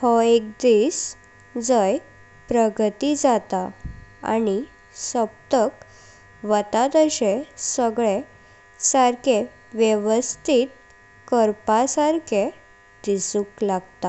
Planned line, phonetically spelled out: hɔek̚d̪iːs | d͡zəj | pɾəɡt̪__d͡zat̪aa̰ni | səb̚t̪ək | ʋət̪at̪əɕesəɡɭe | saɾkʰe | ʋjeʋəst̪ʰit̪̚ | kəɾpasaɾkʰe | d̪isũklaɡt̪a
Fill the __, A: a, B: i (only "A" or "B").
B